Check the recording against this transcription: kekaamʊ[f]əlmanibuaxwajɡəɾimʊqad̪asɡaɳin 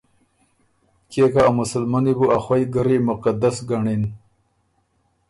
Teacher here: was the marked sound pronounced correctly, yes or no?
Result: no